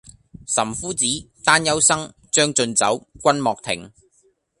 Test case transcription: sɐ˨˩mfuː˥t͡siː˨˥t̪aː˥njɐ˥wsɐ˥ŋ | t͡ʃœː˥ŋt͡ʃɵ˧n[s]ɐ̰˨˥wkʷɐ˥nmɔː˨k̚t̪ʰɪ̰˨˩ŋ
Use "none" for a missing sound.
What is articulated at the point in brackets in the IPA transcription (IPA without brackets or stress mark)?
t͡s